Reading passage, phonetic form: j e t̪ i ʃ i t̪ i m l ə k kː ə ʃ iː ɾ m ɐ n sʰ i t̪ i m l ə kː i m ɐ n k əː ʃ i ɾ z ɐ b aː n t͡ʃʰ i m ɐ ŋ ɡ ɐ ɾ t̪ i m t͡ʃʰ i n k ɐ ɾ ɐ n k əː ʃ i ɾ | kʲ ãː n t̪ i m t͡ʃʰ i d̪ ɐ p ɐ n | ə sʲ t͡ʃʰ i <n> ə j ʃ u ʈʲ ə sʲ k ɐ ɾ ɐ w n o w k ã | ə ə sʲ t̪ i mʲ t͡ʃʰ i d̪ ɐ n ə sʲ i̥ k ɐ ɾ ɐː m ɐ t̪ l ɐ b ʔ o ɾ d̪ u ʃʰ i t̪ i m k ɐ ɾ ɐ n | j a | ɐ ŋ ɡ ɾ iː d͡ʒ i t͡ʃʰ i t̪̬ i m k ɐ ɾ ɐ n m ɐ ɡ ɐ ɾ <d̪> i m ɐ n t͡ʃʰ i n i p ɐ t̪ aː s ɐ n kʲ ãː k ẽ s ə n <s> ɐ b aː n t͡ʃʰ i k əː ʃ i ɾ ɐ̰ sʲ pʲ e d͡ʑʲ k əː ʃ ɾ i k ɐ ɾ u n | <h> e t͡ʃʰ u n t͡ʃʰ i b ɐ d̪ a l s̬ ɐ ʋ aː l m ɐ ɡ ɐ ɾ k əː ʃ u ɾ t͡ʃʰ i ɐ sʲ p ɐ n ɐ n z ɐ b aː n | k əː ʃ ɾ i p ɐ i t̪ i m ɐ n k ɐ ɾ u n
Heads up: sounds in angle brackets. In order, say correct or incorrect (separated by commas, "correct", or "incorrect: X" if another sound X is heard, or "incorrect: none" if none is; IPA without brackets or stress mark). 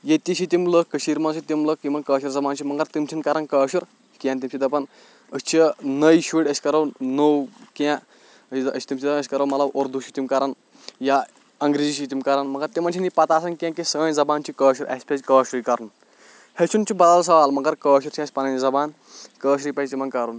correct, incorrect: t̪, incorrect: z, correct